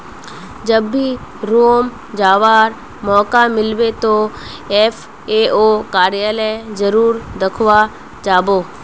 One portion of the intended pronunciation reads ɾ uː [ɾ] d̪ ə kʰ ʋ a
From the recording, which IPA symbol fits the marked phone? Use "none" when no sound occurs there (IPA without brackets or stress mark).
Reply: ɾ